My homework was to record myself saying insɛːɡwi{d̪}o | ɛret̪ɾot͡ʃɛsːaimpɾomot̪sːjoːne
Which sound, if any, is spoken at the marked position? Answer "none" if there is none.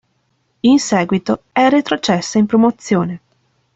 t̪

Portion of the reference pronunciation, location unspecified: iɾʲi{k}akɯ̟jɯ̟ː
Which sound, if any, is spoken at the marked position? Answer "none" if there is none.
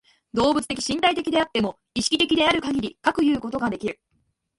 k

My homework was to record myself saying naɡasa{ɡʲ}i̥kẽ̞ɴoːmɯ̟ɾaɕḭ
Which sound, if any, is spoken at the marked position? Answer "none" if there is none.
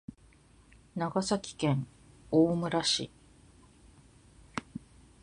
kʲ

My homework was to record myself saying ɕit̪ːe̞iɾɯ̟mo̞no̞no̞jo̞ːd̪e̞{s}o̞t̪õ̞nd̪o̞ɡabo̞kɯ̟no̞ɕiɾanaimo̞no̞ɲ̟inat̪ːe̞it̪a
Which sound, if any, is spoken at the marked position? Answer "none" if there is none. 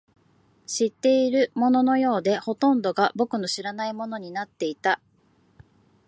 h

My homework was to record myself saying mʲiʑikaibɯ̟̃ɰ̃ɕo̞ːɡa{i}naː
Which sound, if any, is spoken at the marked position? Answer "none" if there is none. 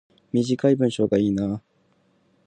iː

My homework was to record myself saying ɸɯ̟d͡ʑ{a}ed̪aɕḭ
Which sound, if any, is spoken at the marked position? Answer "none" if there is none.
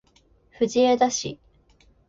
i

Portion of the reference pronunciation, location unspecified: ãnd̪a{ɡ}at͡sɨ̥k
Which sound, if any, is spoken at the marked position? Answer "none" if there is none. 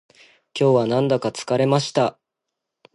k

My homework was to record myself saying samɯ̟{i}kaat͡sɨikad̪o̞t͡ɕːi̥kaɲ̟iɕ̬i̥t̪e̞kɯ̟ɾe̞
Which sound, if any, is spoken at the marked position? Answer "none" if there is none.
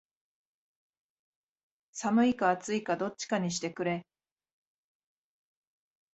i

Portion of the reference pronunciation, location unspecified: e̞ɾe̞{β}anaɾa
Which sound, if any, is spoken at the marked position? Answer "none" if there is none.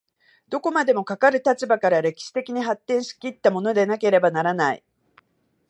b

